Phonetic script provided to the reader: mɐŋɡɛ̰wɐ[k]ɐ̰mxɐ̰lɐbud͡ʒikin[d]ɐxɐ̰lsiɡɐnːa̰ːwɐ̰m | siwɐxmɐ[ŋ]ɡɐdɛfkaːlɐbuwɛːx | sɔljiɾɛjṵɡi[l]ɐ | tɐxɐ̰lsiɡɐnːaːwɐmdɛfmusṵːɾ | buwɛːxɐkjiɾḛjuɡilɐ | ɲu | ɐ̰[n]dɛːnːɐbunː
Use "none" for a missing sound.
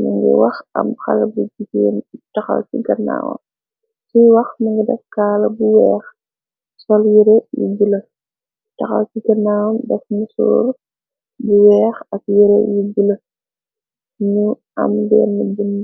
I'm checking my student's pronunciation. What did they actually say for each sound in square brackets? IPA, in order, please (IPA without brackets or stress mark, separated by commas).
x, t, ŋ, l, m